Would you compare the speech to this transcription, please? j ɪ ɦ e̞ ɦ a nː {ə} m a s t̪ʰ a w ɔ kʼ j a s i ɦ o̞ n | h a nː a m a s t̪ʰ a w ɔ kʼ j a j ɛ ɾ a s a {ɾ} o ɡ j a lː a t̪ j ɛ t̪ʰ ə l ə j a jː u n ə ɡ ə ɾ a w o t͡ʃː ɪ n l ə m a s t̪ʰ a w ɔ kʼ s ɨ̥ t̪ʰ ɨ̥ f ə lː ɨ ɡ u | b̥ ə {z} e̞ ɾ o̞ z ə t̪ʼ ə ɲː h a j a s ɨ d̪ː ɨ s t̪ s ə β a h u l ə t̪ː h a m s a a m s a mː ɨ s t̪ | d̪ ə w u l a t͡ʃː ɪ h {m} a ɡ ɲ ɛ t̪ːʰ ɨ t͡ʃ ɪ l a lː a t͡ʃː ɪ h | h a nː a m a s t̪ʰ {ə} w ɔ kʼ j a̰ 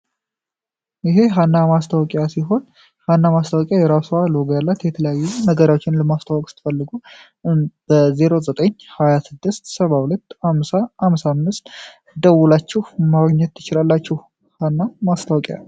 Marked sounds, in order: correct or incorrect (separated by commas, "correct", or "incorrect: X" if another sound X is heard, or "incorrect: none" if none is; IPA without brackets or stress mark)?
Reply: incorrect: a, incorrect: l, correct, correct, incorrect: a